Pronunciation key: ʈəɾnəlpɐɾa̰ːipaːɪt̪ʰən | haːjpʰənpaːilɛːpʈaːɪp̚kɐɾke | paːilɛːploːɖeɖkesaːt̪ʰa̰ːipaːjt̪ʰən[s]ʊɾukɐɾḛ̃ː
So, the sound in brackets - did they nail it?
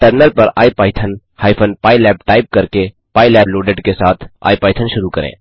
no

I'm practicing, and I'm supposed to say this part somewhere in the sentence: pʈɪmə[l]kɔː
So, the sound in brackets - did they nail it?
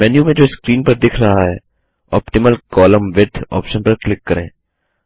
yes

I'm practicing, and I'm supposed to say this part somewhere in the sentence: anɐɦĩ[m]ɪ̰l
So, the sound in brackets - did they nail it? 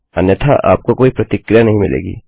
yes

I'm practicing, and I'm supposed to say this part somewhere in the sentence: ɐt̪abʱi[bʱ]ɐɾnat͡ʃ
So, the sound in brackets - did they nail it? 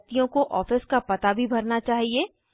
yes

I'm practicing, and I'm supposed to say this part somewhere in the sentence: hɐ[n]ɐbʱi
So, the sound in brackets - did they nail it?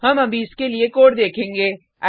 no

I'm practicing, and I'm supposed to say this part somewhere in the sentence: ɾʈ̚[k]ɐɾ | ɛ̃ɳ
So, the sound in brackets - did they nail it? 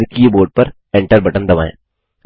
no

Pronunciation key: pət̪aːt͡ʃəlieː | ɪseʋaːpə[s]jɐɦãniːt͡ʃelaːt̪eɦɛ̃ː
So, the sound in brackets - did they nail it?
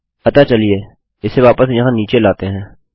yes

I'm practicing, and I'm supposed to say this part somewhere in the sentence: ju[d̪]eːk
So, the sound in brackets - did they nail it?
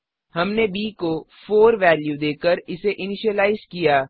yes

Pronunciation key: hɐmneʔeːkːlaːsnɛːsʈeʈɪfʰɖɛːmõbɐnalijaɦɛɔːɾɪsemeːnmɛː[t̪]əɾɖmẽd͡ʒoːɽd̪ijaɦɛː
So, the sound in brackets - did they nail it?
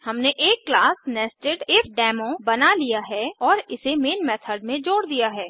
no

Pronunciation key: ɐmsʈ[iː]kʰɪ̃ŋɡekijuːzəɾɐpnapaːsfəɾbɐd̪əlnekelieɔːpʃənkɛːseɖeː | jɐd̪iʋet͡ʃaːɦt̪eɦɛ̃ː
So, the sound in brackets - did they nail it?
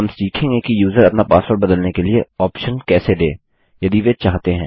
yes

